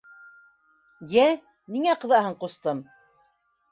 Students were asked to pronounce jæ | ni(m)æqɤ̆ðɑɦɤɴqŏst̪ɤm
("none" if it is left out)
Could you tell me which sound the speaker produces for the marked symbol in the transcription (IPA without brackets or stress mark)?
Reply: ŋ